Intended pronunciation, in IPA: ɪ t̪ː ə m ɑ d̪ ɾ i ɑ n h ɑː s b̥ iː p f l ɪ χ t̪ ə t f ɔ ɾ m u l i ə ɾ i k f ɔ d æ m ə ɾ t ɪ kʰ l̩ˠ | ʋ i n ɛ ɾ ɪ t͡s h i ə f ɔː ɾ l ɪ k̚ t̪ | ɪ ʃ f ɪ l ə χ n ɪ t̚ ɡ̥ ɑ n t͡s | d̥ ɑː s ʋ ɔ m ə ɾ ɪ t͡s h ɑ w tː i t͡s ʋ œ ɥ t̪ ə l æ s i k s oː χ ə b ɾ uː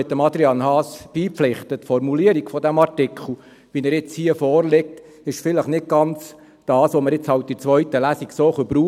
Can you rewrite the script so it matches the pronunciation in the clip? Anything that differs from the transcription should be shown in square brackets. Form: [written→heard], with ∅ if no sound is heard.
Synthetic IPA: ɪ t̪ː ə m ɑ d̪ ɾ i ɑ n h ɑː s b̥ iː p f l ɪ χ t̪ ə t f ɔ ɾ m u l i ə ɾ i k f ɔ d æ m [ə→ɑ] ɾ t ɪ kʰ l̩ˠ | ʋ i n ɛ ɾ ɪ t͡s h i ə f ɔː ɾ l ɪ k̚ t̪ | ɪ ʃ f ɪ l ə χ n ɪ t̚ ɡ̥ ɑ n t͡s | d̥ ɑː s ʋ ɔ m ə ɾ ɪ t͡s h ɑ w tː i t͡s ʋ œ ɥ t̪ ə l æ s i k s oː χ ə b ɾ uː